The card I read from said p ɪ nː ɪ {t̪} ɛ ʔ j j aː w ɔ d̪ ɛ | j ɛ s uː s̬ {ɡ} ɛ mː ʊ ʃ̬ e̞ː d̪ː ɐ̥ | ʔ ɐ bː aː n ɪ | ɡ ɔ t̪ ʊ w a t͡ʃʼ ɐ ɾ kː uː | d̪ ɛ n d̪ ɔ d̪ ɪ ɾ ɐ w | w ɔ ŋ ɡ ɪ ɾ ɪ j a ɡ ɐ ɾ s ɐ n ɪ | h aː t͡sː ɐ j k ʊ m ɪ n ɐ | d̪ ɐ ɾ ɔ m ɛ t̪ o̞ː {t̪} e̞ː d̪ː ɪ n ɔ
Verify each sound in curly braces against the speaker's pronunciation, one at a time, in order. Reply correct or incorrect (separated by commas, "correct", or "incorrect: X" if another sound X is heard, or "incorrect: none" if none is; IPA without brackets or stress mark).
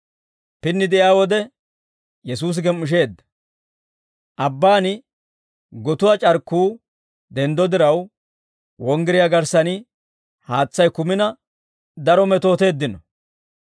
incorrect: d̪, correct, correct